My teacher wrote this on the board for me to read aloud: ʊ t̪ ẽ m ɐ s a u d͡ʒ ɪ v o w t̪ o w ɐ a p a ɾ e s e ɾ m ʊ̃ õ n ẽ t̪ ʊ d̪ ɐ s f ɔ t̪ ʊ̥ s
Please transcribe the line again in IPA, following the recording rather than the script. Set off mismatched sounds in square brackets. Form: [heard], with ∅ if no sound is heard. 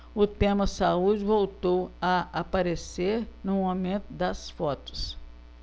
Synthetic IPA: ʊ t̪ ẽ m ɐ s a u d͡ʒ ɪ v o w t̪ o w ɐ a p a ɾ e s e ɾ [n] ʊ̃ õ [m] ẽ t̪ ʊ d̪ ɐ s f ɔ t̪ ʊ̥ s

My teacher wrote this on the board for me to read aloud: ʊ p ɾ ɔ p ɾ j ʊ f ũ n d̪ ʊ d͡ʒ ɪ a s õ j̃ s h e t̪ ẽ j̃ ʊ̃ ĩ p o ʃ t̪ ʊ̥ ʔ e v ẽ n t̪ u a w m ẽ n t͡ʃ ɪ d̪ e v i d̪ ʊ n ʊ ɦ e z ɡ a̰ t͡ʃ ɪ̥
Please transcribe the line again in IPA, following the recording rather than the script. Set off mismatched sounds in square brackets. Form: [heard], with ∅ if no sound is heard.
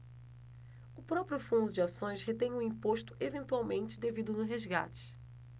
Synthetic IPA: ʊ p ɾ ɔ p ɾ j ʊ f ũ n d̪ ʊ d͡ʒ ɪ a s õ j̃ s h e t̪ ẽ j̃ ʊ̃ ĩ p o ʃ t̪ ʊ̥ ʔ e v ẽ n t̪ u a w m ẽ n t͡ʃ ɪ d̪ e v i d̪ ʊ n ʊ ɦ e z ɡ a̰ t͡ʃ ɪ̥

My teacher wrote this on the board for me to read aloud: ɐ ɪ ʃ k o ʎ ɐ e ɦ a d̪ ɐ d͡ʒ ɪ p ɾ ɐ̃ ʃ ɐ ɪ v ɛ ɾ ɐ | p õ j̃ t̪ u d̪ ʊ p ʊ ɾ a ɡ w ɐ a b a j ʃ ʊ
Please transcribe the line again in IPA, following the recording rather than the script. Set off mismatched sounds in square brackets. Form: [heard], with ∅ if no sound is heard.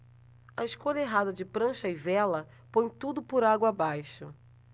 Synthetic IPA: ɐ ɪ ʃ k o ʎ ɐ e ɦ a d̪ ɐ d͡ʒ ɪ p ɾ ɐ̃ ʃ ɐ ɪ v ɛ [l] ɐ | p õ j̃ t̪ u d̪ ʊ p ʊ ɾ a ɡ w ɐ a b a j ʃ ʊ

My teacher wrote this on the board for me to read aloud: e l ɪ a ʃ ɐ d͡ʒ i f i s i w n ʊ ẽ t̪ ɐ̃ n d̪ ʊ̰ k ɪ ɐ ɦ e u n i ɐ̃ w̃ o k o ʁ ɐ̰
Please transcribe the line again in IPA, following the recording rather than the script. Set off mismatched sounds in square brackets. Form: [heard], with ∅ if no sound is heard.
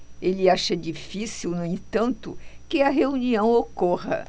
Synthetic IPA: e l ɪ a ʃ ɐ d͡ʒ i f i s i w n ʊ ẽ t̪ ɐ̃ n [t̪] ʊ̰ k ɪ ɐ ɦ e u n i ɐ̃ w̃ o k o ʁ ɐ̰

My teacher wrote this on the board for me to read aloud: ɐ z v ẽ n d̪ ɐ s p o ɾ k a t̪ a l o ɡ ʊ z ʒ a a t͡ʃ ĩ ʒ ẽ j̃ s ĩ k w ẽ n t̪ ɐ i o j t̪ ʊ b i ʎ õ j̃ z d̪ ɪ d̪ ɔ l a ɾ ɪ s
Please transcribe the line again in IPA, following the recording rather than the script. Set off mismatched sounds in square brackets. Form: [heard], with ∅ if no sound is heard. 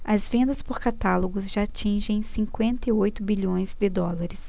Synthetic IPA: ɐ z v ẽ n d̪ ɐ s p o ɾ k a t̪ a l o ɡ ʊ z ʒ a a t͡ʃ ĩ ʒ ẽ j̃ s ĩ k w ẽ n t̪ ɐ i o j t̪ ʊ b i ʎ õ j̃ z d̪ ɪ d̪ ɔ l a ɾ ɪ s

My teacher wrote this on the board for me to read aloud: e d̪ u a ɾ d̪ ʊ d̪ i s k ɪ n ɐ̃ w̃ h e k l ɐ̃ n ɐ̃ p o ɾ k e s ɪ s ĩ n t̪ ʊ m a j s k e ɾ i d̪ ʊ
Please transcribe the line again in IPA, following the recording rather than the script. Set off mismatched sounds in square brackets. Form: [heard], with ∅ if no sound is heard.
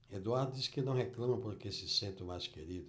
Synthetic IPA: e d̪ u a ɾ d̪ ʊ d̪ i s k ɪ n ɐ̃ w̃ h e k l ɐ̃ [m] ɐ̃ p o ɾ k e s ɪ s [ẽ] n t̪ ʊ m a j s k e ɾ i d̪ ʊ

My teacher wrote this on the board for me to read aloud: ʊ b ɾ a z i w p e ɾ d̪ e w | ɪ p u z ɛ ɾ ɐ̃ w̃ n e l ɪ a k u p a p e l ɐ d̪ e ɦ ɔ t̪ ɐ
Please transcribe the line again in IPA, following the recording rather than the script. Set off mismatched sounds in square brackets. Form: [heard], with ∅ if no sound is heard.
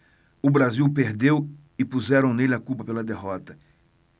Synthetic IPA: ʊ b ɾ a z i w p e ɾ d̪ e w | ɪ p u z ɛ ɾ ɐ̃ w̃ n e l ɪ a k u p [ɐ] p e l ɐ d̪ e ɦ ɔ t̪ ɐ

